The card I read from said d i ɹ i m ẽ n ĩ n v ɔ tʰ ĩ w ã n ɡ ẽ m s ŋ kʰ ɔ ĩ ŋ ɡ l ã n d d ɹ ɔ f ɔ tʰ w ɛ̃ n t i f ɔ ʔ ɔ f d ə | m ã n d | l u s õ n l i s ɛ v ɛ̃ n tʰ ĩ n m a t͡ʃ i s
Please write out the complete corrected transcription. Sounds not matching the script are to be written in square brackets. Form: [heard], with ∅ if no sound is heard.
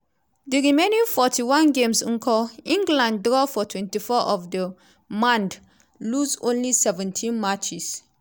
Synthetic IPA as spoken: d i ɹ i m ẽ n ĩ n [f] ɔ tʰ [i] w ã n ɡ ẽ m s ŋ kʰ ɔ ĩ ŋ ɡ l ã n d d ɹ ɔ f ɔ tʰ w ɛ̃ n t i f ɔ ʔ ɔ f d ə | m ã n d | l u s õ n l i s ɛ v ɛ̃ n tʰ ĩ n m a t͡ʃ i s